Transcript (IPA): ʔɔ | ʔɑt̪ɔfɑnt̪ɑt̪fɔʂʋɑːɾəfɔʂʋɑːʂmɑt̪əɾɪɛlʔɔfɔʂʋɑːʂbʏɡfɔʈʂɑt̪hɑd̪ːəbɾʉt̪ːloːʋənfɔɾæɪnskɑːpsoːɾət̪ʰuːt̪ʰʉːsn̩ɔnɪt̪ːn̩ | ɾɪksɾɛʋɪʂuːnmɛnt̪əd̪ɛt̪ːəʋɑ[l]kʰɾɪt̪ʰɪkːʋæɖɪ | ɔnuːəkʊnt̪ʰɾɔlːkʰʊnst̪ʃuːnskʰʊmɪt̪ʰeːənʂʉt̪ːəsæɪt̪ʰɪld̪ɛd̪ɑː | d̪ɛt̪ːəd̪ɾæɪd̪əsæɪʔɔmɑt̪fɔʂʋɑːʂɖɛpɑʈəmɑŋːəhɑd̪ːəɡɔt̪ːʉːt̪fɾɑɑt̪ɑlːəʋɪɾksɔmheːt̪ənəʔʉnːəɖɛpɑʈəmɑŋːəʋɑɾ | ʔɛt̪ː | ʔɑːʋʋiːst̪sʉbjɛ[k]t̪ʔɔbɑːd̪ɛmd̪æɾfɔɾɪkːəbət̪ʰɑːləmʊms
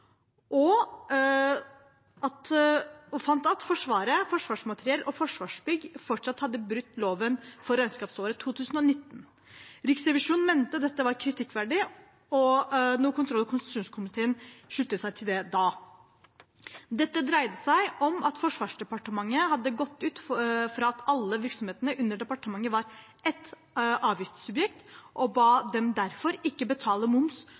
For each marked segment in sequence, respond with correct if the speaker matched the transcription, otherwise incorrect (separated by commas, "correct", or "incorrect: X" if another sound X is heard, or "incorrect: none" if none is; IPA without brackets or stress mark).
incorrect: ɾ, correct